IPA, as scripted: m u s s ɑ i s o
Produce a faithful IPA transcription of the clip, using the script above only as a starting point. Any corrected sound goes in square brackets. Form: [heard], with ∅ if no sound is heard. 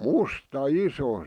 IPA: m u s [t] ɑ i s o